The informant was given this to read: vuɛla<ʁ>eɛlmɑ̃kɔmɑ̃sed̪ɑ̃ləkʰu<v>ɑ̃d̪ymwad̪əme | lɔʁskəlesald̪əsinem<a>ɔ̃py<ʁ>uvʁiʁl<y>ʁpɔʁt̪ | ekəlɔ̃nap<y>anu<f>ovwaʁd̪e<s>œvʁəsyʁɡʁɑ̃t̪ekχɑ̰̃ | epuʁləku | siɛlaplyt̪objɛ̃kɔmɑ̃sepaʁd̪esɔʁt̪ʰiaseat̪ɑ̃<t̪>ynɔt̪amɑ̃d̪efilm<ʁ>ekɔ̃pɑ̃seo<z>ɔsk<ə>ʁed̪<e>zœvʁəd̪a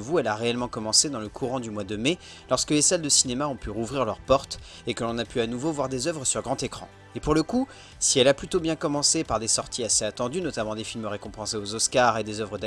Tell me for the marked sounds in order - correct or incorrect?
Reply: correct, incorrect, correct, correct, incorrect, correct, incorrect, incorrect, incorrect, correct, correct, incorrect, correct

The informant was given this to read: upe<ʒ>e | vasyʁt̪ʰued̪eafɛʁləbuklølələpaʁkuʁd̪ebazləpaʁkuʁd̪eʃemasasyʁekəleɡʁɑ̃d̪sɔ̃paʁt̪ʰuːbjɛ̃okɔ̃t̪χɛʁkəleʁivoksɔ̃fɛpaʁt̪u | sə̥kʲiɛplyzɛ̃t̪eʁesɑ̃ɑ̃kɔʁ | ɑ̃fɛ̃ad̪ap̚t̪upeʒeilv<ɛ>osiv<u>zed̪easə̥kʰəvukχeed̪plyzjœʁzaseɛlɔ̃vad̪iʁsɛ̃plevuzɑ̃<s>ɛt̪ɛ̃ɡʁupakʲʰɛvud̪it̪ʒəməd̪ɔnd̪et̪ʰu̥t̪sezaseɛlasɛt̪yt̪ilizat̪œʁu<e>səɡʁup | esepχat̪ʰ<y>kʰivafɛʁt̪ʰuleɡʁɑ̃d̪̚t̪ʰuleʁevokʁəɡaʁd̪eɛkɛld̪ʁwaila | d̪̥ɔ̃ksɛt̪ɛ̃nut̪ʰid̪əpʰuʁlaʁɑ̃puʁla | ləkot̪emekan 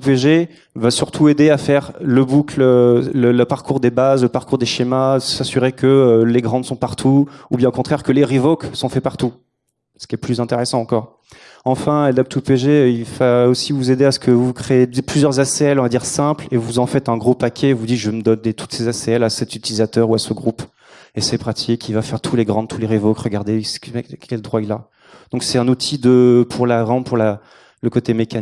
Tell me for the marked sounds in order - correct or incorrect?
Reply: correct, incorrect, correct, incorrect, incorrect, incorrect

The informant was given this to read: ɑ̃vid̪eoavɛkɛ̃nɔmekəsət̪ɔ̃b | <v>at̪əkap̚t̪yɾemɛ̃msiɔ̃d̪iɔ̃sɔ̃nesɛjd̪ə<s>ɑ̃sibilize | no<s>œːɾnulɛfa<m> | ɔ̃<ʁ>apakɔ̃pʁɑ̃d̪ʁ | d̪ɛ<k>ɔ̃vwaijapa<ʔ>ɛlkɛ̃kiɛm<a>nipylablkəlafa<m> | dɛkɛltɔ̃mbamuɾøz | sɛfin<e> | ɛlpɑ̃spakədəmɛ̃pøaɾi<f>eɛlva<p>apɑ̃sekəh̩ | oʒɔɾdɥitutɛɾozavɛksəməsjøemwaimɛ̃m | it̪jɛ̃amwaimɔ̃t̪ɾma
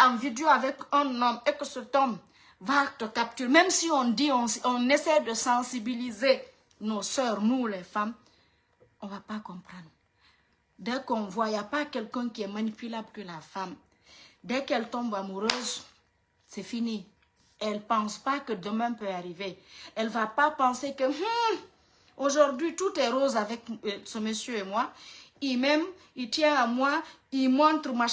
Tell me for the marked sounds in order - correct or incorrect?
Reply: correct, correct, correct, correct, incorrect, correct, incorrect, correct, correct, incorrect, incorrect, correct

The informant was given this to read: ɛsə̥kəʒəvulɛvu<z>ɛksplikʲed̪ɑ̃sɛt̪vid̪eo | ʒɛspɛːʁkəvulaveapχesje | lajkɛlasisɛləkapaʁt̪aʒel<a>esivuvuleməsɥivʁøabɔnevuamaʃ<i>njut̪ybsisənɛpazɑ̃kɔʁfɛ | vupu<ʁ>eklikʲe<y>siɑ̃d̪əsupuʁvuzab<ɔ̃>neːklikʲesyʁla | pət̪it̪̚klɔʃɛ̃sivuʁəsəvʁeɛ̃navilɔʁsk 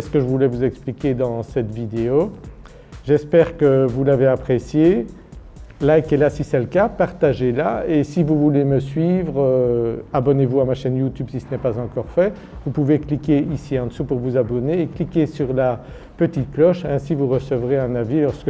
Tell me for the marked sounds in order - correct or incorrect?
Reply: correct, correct, incorrect, incorrect, incorrect, incorrect

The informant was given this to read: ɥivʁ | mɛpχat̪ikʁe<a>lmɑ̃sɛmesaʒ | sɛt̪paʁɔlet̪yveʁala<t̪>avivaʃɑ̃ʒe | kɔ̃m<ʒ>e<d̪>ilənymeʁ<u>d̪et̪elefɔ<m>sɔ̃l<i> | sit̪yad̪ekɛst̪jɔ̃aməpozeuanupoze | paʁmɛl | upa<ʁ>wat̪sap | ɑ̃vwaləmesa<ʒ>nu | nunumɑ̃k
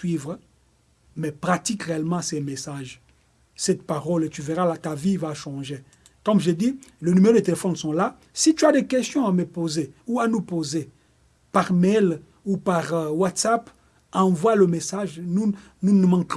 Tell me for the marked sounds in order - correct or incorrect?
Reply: incorrect, correct, correct, correct, incorrect, incorrect, incorrect, correct, correct

